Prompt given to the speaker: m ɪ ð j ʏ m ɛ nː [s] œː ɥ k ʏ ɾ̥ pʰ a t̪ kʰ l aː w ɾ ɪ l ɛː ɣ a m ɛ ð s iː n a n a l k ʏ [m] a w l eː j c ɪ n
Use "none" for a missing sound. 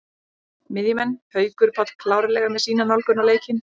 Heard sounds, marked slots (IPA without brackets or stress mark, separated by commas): h, n